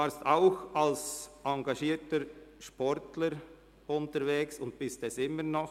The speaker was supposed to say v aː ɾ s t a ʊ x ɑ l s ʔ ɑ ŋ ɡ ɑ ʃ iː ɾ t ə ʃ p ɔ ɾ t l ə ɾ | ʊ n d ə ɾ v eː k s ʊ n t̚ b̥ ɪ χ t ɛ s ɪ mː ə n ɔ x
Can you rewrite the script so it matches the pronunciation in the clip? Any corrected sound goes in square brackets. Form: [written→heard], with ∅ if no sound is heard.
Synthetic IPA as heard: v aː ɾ s t a ʊ x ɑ l s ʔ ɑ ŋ ɡ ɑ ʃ iː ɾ t ə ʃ p ɔ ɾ t l ə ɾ | ʊ n [d→t] ə ɾ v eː k s ʊ n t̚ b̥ ɪ [χ→s] t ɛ s ɪ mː ə n ɔ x